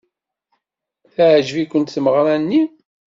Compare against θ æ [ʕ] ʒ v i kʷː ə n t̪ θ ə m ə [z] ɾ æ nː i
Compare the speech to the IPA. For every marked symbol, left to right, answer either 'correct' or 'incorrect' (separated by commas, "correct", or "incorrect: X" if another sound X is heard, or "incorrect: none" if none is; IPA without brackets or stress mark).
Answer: correct, incorrect: ʁ